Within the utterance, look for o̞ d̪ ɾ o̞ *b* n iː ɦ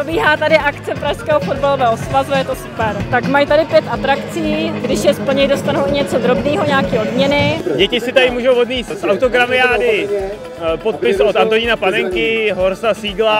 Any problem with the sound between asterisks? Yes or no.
no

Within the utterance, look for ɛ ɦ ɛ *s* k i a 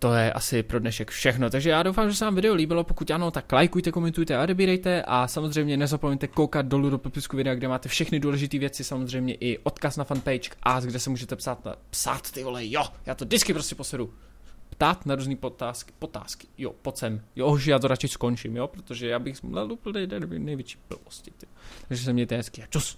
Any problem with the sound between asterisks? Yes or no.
no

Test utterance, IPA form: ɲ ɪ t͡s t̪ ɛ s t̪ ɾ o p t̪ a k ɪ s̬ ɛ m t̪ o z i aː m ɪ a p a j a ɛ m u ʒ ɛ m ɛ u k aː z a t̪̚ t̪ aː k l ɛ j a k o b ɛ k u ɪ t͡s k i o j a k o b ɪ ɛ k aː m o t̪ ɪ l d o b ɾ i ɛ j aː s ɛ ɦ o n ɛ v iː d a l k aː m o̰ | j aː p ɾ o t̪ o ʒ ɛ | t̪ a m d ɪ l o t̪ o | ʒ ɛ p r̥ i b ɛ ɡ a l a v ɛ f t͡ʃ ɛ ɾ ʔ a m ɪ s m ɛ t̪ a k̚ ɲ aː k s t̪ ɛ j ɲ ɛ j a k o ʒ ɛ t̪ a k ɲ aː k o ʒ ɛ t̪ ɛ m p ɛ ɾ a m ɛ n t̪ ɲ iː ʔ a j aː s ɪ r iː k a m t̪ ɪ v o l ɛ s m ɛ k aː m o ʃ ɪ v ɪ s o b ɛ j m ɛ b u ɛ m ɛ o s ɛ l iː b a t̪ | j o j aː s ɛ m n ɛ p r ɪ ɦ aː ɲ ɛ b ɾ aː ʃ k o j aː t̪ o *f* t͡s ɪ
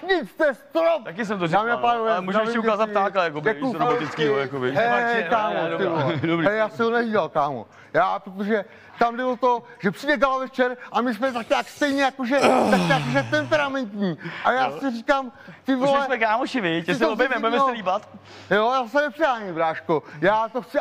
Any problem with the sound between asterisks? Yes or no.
yes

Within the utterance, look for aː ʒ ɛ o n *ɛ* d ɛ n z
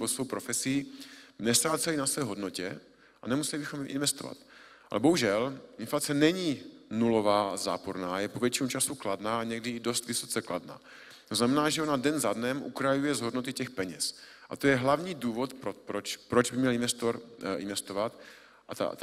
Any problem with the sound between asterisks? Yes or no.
yes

